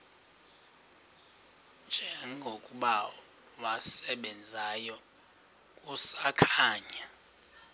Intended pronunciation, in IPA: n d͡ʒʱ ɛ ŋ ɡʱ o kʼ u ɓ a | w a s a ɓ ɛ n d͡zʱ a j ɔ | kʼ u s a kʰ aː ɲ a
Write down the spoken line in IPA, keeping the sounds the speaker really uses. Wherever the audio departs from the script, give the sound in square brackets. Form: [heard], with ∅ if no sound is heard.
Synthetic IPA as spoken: n d͡ʒʱ ɛ ŋ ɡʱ o kʼ u ɓ a | w a s [ɛ] ɓ ɛ n d͡zʱ a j ɔ | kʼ u s a kʰ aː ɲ a